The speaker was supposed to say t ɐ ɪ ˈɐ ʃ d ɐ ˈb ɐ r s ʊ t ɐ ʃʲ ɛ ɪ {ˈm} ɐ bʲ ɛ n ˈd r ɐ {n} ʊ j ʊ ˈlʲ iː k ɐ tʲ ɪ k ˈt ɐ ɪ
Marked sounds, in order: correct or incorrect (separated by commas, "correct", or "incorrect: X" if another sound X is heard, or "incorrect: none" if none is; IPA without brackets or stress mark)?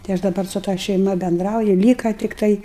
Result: correct, incorrect: none